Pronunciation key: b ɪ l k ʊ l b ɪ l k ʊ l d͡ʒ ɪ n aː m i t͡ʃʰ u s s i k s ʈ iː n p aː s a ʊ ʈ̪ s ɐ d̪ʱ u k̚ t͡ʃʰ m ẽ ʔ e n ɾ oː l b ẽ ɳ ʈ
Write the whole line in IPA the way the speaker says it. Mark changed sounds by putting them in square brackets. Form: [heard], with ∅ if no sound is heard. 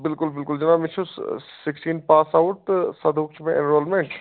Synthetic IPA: b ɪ l k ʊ l b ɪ l k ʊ l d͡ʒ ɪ n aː m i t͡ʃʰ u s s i k s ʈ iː n p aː s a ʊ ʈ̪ s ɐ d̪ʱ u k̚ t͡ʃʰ m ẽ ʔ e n ɾ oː l [m] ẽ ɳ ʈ